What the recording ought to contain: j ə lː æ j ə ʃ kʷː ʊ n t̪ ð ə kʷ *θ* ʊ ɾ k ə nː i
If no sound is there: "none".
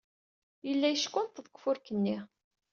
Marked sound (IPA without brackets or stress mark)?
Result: f